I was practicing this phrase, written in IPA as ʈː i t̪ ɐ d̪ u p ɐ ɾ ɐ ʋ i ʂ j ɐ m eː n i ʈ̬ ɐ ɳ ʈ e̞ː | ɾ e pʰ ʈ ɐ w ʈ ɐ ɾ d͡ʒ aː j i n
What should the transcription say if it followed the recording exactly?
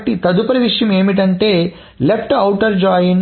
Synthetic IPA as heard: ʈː i t̪ ɐ d̪ u p ɐ ɾ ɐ ʋ i ʂ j ɐ m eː m i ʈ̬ ɐ ɳ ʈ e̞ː | l e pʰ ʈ ɐ w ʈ ɐ ɾ d͡ʒ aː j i n

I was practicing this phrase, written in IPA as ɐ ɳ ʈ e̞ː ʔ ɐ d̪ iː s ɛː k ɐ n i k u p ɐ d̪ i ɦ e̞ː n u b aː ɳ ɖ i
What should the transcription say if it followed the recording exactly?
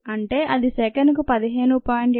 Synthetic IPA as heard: ɐ ɳ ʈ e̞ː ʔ ɐ d̪ i s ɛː k ɐ n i k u p ɐ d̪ i ɦ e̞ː n u p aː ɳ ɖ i

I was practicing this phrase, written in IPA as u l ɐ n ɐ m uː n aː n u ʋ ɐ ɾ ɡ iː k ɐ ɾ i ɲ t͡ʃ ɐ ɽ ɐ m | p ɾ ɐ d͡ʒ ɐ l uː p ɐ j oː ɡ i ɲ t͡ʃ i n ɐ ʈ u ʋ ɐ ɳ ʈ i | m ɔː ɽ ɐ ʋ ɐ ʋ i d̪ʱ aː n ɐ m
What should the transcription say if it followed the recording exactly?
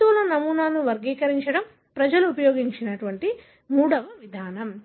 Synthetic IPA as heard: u l ɐ n ɐ m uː n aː n u ʋ ɐ ɾ ɡ iː k ɐ ɾ i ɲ t͡ʃ ɐ ɽ ɐ m | p ɾ ɐ d͡ʒ ɐ l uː p ɐ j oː ɡ i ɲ t͡ʃ i n ɐ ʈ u ʋ ɐ ɳ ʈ i | m uː ɽ ɐ ʋ ɐ ʋ i d̪ʱ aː n ɐ m

